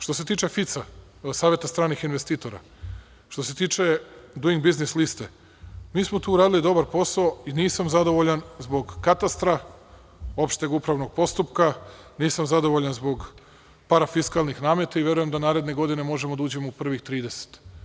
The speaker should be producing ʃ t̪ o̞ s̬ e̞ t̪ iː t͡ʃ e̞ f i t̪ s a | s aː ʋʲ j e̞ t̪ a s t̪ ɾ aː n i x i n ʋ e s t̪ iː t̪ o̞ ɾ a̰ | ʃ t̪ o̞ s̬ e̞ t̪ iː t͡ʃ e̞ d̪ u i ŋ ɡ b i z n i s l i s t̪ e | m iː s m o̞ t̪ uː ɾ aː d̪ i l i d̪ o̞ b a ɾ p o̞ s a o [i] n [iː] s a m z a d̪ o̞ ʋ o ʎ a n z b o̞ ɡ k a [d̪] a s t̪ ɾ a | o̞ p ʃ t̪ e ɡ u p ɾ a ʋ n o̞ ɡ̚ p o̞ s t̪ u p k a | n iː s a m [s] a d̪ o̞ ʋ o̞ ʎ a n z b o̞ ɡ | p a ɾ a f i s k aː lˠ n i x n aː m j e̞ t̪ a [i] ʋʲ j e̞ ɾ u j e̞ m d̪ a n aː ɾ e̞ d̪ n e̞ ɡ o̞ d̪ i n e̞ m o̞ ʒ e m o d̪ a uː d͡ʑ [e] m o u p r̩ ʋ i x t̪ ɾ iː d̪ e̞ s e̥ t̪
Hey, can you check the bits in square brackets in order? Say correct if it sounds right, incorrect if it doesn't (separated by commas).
correct, correct, incorrect, incorrect, correct, correct